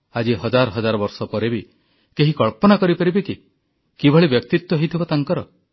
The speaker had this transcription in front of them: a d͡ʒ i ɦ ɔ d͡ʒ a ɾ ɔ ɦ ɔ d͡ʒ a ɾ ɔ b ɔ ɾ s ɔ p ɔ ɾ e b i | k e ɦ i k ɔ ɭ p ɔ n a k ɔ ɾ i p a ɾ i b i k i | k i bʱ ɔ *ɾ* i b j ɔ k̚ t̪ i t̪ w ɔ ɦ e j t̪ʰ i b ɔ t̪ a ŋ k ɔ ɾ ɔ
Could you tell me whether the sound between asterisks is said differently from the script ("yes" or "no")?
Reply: yes